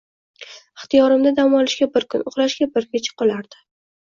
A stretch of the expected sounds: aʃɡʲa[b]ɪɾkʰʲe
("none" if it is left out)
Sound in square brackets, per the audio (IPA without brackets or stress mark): b